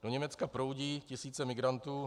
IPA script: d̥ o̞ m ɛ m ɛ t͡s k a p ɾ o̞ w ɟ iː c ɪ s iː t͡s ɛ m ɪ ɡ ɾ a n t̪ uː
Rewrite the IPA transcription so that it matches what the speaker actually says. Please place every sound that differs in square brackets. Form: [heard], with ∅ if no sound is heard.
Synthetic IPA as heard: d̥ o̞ [ɲ] ɛ m ɛ t͡s k a p ɾ o̞ w ɟ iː c ɪ s iː t͡s ɛ m ɪ ɡ ɾ a n t̪ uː